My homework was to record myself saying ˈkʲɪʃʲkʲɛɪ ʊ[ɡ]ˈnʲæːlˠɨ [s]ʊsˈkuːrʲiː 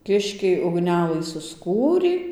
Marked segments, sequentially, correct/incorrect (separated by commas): correct, correct